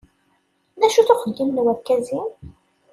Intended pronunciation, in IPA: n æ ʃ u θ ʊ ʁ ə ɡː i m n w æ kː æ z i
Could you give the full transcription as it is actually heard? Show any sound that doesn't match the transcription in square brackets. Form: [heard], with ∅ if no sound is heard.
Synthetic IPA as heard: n æ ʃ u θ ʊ [χ] ə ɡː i m n w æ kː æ z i